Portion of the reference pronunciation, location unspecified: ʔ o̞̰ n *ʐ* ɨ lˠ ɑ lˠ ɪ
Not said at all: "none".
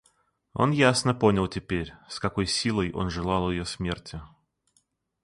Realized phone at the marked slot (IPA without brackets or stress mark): ʐ